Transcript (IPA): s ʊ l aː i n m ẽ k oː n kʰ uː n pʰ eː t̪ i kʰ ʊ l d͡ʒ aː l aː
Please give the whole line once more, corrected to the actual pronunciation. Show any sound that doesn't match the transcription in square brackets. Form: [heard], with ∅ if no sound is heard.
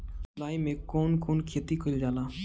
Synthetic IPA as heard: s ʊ l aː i [∅] m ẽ k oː n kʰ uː n [kʰ] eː t̪ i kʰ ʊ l d͡ʒ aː l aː